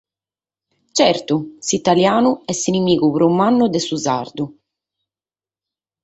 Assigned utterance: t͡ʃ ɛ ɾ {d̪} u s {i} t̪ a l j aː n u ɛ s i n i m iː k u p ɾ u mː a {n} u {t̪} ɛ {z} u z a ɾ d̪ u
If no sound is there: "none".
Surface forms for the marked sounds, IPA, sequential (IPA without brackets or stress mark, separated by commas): t̪, i, nː, d̪, s